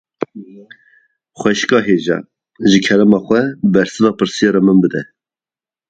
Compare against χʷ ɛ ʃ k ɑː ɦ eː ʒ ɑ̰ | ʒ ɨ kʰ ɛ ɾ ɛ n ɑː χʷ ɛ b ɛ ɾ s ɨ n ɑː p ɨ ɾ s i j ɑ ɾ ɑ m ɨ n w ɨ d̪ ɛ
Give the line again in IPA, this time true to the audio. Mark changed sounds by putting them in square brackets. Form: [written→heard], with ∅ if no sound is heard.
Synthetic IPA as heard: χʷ ɛ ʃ k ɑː ɦ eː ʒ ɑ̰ | ʒ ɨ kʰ ɛ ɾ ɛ [n→m] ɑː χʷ ɛ b ɛ ɾ s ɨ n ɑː p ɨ ɾ s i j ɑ ɾ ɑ m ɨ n [w→b] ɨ d̪ ɛ